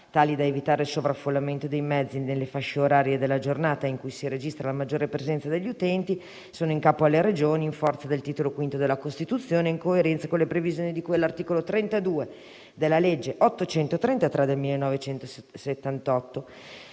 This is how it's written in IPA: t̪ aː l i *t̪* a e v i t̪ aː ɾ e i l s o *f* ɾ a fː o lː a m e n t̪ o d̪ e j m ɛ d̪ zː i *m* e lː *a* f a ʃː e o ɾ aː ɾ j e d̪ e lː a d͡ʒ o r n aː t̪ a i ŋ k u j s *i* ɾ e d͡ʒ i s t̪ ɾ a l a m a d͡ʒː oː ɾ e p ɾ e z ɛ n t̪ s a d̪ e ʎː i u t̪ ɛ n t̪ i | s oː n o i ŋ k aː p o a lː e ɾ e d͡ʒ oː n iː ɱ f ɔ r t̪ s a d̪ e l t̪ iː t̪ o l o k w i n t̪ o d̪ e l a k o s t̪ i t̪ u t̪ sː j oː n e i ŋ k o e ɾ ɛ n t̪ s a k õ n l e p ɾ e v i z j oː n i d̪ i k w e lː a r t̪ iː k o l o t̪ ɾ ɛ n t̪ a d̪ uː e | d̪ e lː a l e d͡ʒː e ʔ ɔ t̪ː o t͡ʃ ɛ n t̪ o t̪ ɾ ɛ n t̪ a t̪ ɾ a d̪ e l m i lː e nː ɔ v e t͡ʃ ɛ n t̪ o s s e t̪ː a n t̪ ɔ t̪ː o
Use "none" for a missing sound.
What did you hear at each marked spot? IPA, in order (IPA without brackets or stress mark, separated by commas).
d̪, v, n, e, i